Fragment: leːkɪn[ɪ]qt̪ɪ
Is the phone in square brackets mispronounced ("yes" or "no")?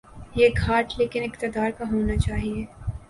no